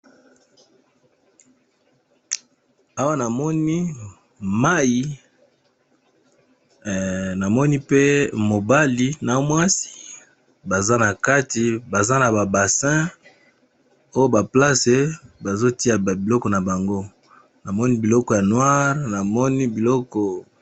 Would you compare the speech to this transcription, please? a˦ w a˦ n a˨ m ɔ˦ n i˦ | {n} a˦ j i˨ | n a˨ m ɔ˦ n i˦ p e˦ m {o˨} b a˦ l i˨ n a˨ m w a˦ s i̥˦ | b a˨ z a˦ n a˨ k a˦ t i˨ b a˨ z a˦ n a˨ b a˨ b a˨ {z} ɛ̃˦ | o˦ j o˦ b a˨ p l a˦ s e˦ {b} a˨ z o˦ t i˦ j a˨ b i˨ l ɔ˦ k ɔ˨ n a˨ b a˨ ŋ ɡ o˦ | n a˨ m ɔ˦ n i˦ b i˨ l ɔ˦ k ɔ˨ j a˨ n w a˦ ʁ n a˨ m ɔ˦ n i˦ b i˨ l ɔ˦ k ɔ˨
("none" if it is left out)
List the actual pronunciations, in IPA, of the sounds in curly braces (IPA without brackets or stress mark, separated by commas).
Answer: m, o˨, s, b